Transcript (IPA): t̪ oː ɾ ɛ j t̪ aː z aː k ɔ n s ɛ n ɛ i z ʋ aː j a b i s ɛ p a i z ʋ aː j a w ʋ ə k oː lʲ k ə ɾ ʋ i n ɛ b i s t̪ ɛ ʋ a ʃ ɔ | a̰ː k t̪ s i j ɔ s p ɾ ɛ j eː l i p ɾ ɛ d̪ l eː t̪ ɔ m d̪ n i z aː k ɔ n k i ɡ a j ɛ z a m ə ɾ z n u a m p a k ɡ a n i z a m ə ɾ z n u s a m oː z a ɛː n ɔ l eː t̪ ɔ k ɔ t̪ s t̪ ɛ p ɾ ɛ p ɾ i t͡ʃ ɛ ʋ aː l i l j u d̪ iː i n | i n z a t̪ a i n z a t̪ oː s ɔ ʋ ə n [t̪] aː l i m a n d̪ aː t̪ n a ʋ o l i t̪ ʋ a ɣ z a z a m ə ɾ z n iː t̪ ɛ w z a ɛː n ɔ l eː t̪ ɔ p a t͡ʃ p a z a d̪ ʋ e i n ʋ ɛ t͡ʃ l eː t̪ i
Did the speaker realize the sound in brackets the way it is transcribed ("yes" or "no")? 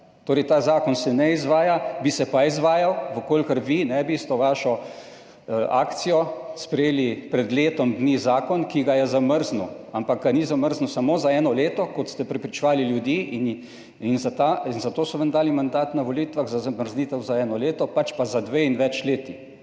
no